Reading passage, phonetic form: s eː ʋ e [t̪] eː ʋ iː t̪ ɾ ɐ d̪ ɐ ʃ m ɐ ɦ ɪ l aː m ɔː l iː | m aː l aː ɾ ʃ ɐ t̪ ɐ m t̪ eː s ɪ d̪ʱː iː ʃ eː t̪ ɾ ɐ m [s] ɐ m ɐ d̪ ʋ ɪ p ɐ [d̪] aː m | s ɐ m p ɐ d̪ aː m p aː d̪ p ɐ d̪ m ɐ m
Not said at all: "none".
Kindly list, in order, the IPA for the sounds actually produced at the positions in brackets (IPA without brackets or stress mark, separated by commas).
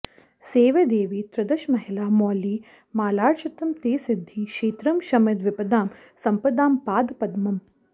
d̪, ʃ, d̪